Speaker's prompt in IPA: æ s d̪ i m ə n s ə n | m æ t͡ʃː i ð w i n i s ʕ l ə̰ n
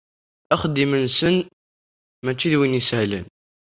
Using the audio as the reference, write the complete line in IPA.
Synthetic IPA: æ χ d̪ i m ə n s ə n | m æ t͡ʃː i ð w i n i s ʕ l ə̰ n